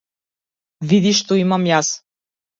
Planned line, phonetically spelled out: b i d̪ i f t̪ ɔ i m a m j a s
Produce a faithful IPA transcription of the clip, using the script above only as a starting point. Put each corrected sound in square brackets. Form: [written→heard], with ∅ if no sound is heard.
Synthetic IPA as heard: [b→v] i d̪ i [f→ʃ] t̪ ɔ i m a m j a s